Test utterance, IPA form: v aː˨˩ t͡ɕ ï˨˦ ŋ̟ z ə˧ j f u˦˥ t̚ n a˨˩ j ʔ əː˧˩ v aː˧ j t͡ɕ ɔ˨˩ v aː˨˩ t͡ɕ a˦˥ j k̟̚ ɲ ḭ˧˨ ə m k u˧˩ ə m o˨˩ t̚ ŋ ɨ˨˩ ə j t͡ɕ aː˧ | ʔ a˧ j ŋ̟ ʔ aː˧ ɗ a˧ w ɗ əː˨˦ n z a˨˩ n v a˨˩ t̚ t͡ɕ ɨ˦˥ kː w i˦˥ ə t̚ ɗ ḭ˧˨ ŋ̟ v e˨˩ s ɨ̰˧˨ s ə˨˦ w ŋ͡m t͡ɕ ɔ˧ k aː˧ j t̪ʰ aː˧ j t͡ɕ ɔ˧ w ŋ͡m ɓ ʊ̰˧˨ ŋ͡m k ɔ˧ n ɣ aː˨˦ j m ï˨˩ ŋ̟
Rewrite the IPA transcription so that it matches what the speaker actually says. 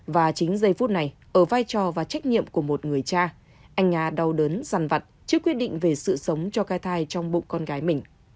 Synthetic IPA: v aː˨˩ t͡ɕ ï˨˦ ŋ̟ z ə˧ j f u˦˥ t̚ n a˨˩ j ʔ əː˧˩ v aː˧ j t͡ɕ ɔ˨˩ v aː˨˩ t͡ɕ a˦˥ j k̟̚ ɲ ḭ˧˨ ə m k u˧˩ ə m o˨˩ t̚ ŋ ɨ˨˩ ə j t͡ɕ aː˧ | ʔ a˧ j ŋ̟ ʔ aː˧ ɗ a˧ w ɗ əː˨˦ n z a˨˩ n v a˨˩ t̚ t͡ɕ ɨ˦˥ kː w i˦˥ ə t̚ ɗ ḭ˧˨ ŋ̟ v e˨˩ s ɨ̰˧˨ s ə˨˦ w ŋ͡m t͡ɕ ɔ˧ k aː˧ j t̪ʰ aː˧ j t͡ɕ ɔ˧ w ŋ͡m ɓ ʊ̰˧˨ ŋ͡m k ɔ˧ n ɣ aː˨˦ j m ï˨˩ ŋ̟